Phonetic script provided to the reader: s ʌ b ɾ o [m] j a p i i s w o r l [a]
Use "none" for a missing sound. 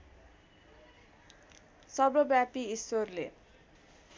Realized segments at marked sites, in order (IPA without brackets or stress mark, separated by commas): b, e